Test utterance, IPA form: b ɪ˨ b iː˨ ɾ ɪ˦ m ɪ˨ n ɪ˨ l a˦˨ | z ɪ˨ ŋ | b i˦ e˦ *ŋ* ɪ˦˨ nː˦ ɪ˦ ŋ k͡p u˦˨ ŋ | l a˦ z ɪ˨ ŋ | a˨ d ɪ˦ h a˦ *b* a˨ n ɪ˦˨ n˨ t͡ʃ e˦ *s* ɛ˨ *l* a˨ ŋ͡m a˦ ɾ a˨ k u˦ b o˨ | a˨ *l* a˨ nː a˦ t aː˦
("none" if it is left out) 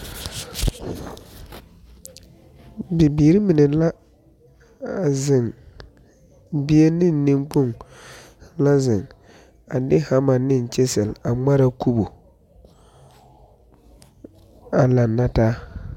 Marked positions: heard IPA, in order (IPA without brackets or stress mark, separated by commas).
n, m, s, l, l